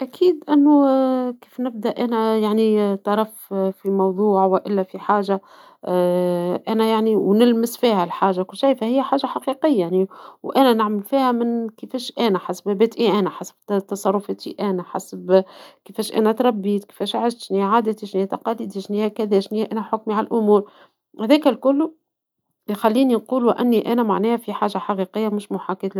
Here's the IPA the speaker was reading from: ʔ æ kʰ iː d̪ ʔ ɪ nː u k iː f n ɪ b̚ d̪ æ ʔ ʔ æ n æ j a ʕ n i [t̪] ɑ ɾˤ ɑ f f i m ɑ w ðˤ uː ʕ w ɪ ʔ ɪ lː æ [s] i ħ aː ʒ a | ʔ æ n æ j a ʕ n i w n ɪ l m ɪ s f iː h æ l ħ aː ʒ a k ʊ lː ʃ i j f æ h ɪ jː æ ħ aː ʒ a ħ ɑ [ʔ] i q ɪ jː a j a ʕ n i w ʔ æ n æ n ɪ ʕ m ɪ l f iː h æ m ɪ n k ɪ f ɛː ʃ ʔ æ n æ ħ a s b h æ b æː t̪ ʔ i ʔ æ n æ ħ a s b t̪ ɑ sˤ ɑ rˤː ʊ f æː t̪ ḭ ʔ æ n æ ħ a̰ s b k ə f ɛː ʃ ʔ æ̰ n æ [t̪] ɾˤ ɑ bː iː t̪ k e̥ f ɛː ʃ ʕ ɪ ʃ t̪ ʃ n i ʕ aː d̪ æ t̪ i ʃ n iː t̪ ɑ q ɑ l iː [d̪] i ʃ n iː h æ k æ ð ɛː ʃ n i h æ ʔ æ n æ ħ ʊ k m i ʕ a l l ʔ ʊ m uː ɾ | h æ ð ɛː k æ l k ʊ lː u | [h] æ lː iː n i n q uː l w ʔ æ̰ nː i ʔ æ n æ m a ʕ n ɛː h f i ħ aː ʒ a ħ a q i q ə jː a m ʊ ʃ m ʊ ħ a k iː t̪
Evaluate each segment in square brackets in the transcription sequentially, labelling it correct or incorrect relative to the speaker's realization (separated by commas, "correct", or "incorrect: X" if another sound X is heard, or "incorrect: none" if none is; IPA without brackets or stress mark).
correct, incorrect: f, incorrect: q, correct, correct, incorrect: x